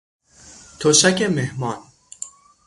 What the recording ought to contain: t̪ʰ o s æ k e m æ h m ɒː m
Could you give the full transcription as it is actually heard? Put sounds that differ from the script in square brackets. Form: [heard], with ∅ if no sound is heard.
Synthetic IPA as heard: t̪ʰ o [ʃ] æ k e m [e] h m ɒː [n]